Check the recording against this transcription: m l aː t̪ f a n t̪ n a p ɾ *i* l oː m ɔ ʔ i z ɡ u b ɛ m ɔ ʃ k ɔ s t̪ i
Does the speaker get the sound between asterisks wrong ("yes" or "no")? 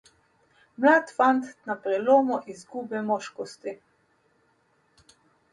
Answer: yes